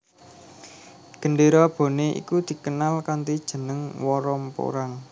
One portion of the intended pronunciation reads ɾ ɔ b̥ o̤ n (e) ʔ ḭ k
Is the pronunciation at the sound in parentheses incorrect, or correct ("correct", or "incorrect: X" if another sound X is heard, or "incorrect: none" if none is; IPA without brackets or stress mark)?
correct